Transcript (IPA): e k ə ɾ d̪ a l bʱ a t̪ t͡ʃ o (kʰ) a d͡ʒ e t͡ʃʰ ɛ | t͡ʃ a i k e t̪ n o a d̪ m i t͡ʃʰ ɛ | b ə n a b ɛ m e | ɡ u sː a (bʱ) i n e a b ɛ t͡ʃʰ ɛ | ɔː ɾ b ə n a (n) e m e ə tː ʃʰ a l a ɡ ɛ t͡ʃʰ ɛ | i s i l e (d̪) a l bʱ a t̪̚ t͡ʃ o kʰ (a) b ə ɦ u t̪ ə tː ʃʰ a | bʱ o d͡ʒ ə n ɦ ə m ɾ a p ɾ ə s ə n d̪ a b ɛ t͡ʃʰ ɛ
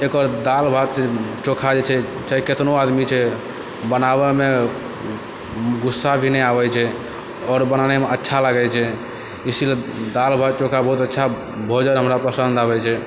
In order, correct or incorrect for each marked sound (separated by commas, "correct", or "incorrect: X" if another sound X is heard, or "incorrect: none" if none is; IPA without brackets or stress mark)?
correct, correct, correct, correct, correct